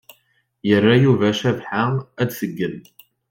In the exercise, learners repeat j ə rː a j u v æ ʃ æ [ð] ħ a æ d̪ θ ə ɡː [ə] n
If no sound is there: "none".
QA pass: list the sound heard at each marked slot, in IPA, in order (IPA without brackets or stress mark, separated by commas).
v, ə